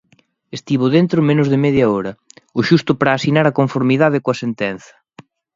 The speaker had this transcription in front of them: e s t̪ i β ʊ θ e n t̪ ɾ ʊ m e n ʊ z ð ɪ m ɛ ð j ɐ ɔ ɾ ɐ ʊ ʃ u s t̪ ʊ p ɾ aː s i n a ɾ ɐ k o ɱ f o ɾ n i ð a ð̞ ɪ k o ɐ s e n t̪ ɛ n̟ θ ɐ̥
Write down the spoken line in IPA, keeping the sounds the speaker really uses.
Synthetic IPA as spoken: e s t̪ i β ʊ ð e n t̪ ɾ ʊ m e n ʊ z ð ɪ m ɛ ð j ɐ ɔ ɾ ɐ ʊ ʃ u s t̪ ʊ p ɾ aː s i n a ɾ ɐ k o ɱ f o ɾ m i ð a ð̞ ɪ k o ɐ s e n t̪ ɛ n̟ θ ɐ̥